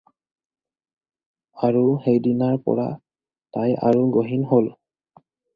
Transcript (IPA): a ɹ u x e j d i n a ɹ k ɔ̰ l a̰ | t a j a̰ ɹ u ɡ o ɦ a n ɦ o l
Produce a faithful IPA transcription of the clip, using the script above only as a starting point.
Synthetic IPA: a ɹ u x e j d i n a ɹ p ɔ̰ ɹ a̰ | t a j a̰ ɹ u ɡ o ɦ i n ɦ o l